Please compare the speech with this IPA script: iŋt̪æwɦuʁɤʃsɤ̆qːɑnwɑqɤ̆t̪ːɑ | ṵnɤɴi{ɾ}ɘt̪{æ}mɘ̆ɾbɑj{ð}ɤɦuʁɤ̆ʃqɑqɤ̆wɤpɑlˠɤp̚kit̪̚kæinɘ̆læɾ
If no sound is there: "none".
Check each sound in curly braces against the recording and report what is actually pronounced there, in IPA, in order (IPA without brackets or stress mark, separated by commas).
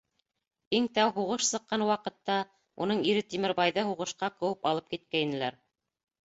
ɾ, i, ð